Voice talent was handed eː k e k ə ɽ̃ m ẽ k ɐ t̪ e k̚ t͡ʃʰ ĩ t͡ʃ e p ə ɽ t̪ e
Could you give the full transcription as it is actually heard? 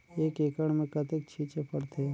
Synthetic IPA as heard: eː k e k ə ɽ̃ m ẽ k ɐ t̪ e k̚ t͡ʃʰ i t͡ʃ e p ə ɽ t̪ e

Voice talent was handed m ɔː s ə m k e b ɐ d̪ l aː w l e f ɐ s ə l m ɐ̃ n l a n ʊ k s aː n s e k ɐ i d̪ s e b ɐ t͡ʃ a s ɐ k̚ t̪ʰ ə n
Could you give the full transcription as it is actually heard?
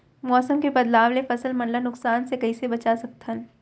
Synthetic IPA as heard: m ɔː s ə m k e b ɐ d̪ l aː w l e f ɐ s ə l m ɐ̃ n l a n ʊ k s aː n s e k ɐ i s e b ɐ t͡ʃ a s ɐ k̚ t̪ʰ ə n

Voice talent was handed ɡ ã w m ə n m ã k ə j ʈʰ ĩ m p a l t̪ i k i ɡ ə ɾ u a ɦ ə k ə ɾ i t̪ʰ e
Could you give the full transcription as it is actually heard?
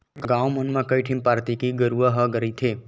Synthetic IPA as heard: ɡ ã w m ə n m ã k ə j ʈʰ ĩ m p a ɾ t̪ i k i ɡ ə ɾ u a ɦ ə ɡ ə ɾ i t̪ʰ e

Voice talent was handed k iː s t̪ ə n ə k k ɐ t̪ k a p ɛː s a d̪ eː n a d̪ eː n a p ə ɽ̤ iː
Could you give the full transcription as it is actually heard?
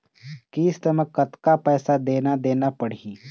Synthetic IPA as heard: k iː s t̪ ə m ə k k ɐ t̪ k a p ɛː s a d̪ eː n a d̪ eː n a p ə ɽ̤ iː

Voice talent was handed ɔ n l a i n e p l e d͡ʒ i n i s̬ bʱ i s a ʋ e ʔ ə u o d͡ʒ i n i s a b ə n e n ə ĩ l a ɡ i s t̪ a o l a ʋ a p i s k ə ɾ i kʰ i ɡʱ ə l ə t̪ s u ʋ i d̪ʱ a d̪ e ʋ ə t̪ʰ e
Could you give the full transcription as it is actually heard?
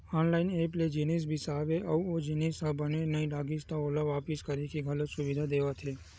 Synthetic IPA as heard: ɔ n l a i n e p l e d͡ʒ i n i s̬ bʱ i s a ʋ e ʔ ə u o d͡ʒ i n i s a b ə n e n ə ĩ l a ɡ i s t̪ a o l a ʋ a p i s k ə ɾ i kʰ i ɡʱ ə l ə t̪ s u ʋ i d̪ʱ a d̪ e ʋ a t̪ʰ e

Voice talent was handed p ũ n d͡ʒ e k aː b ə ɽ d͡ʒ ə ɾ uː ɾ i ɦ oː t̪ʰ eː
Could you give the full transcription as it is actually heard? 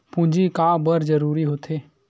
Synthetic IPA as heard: p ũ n d͡ʒ i k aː b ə ɾ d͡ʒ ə ɾ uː ɾ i ɦ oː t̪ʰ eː

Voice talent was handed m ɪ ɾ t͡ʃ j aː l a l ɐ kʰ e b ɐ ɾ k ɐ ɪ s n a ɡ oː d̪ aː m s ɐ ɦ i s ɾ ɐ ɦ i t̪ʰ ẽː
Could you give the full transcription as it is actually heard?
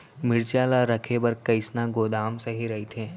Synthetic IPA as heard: m ɪ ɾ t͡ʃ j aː l a ɾ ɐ kʰ e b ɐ ɾ k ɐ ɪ s n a ɡ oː d̪ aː m s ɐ ɦ i ɾ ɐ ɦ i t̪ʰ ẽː

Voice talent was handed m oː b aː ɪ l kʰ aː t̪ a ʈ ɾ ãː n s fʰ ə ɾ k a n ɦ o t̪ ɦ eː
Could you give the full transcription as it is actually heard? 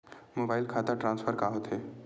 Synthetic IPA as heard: m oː b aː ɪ l kʰ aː t̪ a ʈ ɾ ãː n s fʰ ə ɾ k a ɦ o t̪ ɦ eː

